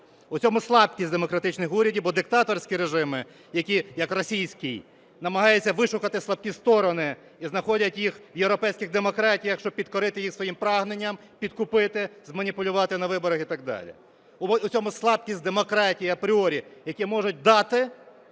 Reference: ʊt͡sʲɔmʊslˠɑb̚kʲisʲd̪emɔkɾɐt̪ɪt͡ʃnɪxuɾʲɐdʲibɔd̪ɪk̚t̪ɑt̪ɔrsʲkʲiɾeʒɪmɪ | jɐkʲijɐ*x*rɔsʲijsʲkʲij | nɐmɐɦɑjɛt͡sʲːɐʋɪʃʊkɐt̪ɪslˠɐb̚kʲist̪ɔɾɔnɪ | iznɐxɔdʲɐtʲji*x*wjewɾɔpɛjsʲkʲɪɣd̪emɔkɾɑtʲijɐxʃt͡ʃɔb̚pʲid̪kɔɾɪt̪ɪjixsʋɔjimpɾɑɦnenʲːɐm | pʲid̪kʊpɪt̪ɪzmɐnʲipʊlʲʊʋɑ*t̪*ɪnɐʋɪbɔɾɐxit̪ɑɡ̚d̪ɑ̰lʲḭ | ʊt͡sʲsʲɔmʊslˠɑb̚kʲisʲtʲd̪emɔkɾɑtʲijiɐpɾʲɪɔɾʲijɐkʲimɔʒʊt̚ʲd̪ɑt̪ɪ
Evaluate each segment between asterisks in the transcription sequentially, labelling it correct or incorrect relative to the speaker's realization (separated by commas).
incorrect, correct, correct